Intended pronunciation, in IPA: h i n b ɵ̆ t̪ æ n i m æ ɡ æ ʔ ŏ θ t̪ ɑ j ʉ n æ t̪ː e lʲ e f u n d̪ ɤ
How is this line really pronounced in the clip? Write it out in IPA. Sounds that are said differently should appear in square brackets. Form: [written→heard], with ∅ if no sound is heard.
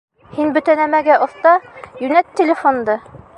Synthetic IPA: h i n b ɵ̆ t̪ æ n [i→æ] m æ ɡ æ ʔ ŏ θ t̪ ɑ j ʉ n æ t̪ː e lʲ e f [u→o] n d̪ ɤ

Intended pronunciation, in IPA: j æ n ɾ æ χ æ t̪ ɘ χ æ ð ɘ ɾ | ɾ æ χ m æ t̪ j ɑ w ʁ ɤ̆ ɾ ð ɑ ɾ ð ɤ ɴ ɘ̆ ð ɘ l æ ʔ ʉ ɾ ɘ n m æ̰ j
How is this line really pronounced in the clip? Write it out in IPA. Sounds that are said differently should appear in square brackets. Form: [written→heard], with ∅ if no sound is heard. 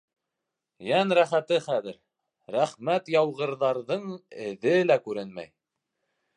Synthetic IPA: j æ n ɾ æ χ æ t̪ ɘ χ æ ð ɘ ɾ | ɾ æ χ m æ t̪ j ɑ w ʁ ɤ̆ ɾ ð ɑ ɾ ð ɤ ɴ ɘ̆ ð ɘ l æ [ʔ→k] ʉ ɾ ɘ n m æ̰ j

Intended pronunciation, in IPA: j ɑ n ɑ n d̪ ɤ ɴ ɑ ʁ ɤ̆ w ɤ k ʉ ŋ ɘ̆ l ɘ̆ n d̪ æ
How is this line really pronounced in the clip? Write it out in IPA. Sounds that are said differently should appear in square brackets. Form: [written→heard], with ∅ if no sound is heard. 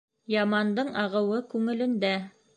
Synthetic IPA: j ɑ [n→m] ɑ n d̪ ɤ ɴ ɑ ʁ ɤ̆ w ɤ k ʉ ŋ ɘ̆ l ɘ̆ n d̪ æ

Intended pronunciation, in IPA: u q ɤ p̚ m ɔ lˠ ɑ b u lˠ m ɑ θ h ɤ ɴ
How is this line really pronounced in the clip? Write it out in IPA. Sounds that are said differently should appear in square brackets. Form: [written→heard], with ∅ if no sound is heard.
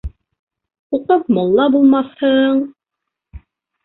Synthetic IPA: u q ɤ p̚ m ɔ [lˠ→lˠː] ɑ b u lˠ m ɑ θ h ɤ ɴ

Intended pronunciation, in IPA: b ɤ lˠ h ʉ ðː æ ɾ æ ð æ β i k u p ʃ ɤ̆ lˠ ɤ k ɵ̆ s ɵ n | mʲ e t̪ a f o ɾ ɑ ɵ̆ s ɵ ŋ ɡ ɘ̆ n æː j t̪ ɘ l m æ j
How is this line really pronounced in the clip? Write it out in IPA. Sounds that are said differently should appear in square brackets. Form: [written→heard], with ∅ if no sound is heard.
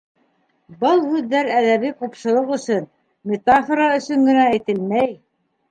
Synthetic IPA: b ɤ lˠ h ʉ ðː æ ɾ æ ð æ β i [k→q] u p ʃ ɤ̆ lˠ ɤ [k→q] ɵ̆ s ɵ n | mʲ e t̪ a f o ɾ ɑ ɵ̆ s ɵ ŋ ɡ ɘ̆ n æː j t̪ ɘ l m æ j

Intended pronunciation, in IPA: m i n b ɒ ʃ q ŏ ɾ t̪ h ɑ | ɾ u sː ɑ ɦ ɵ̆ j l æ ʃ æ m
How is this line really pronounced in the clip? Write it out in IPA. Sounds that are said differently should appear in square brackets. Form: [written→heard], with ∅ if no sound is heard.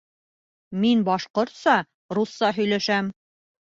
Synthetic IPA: m i n b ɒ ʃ q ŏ ɾ t̪ [h→s] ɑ | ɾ u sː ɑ ɦ ɵ̆ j l æ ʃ æ m

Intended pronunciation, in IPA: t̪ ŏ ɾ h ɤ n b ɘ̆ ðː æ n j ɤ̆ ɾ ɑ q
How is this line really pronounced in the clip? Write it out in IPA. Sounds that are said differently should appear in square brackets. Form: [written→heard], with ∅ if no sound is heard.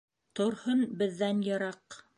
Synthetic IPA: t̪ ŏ ɾ h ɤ n b ɘ̆ ðː æ n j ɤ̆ ɾ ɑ q

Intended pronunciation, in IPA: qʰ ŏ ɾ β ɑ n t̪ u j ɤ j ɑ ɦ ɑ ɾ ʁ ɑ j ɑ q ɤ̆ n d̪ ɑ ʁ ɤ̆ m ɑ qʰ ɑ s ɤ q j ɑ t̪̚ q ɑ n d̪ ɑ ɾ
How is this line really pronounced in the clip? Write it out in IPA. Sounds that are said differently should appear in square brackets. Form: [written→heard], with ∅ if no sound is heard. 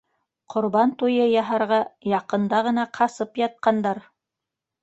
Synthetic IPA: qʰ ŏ ɾ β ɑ n t̪ u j ɤ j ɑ ɦ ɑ ɾ ʁ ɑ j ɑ q ɤ̆ n d̪ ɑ ʁ ɤ̆ [m→n] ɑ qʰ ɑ s ɤ [q→p] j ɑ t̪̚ q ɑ n d̪ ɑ ɾ

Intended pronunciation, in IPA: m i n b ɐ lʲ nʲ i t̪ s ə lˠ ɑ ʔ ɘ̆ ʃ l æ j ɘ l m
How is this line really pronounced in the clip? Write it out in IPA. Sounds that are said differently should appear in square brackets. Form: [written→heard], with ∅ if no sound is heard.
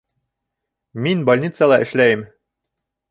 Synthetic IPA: m i n b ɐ lʲ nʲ i t̪ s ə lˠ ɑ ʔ ɘ̆ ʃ l æ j ɘ [l→∅] m

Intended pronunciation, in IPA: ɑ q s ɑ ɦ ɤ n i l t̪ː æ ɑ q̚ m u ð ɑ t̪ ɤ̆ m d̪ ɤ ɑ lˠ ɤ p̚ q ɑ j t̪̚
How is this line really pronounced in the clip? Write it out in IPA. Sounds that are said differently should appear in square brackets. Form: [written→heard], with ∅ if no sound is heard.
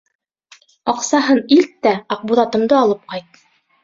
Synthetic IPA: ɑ q s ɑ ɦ ɤ n i l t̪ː æ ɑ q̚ [m→b] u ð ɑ t̪ ɤ̆ m d̪ ɤ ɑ lˠ ɤ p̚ q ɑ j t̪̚

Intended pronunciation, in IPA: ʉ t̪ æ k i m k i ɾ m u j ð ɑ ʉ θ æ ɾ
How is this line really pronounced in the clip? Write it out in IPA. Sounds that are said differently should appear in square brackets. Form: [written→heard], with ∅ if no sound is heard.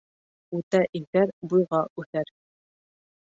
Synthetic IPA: ʉ t̪ æ [k→ʔ] i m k [i→æ] ɾ [m→b] u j [ð→ʁ] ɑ ʉ θ æ ɾ

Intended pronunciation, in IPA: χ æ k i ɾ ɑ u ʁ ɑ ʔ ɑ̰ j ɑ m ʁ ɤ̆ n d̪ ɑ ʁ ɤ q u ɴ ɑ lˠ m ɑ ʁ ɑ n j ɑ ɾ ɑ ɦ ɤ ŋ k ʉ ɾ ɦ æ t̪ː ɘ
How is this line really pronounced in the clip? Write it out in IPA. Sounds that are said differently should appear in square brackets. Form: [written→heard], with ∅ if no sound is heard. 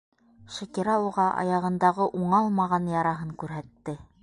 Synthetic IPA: [χ→ʃ] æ k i ɾ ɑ u ʁ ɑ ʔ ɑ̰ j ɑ [m→∅] ʁ ɤ̆ n d̪ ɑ ʁ ɤ [q→ʔ] u ɴ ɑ lˠ m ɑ ʁ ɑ n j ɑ ɾ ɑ ɦ ɤ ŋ k ʉ ɾ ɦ æ t̪ː ɘ

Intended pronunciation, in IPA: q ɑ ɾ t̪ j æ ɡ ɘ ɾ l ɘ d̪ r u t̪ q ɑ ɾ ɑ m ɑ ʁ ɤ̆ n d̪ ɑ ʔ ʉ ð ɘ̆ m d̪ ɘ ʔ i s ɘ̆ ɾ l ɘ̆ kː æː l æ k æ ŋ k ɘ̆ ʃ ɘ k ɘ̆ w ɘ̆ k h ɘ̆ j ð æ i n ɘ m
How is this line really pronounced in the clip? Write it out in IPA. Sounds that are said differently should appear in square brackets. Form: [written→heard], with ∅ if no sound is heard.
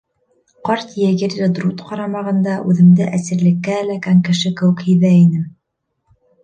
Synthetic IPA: q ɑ ɾ t̪ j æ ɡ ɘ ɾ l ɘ d̪ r u t̪ q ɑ ɾ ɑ m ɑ ʁ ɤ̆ n d̪ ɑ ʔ ʉ ð ɘ̆ m d̪ ɘ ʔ [i→æ] s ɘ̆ ɾ l ɘ̆ kː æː l æ k æ ŋ k ɘ̆ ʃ ɘ k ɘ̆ w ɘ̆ k h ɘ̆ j ð æ i n ɘ m

